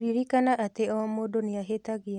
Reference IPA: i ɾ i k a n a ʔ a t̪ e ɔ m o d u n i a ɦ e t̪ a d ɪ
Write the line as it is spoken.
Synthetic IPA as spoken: i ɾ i k a n a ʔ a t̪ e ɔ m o d o n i a ɦ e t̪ a ɡ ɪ